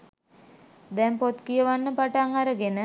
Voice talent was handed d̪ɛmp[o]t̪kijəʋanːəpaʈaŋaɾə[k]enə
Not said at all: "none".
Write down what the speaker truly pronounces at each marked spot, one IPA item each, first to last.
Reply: o, ɡ

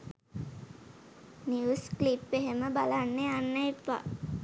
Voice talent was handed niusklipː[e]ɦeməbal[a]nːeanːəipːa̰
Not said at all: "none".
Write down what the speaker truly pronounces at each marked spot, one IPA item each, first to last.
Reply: e, a

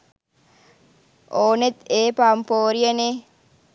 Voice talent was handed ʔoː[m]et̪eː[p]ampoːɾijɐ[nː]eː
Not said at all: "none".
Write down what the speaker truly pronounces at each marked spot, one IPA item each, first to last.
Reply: n, p, n

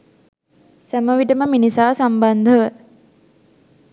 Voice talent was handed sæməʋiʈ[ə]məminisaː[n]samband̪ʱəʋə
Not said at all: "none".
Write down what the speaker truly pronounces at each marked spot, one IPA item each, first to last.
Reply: ə, none

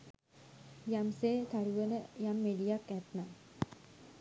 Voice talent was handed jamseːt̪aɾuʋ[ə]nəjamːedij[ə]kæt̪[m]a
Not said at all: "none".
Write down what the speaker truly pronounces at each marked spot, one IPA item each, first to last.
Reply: ə, a, n

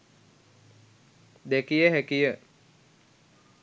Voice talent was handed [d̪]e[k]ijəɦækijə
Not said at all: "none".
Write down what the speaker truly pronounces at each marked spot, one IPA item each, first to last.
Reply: d̪, k

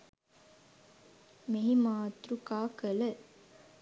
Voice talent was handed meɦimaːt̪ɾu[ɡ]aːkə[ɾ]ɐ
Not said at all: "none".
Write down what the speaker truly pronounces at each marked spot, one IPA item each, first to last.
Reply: k, l

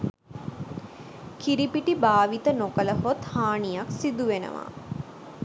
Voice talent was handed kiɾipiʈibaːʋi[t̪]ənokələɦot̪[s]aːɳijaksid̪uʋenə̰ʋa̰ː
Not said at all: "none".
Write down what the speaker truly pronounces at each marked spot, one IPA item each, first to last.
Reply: t̪, h

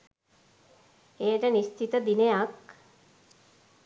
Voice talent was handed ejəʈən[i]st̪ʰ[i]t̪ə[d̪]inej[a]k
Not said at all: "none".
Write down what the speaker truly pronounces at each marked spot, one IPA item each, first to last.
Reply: i, i, d̪, a

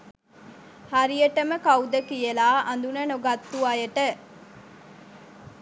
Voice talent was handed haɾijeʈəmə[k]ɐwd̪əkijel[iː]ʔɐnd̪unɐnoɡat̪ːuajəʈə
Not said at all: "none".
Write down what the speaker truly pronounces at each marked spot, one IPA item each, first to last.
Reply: k, aː

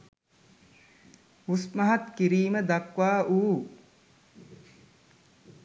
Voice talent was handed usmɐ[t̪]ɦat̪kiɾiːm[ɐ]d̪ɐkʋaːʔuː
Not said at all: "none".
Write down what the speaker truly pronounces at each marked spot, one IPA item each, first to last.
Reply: none, ə

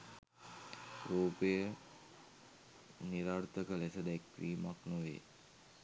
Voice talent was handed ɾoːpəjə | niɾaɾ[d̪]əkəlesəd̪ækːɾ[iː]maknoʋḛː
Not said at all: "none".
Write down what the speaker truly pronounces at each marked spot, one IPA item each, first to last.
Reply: t̪, iː

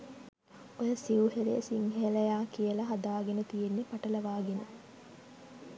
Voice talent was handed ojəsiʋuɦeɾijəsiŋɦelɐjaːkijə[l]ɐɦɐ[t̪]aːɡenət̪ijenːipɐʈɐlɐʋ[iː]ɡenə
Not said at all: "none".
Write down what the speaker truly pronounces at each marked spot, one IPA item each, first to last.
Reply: l, d̪, aː

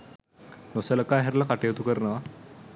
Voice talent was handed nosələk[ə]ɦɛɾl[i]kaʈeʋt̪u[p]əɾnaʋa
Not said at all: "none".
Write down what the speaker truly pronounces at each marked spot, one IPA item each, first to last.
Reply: a, a, k

